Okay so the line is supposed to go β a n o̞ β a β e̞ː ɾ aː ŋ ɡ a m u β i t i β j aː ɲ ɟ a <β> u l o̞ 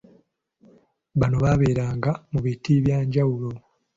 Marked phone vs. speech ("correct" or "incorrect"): incorrect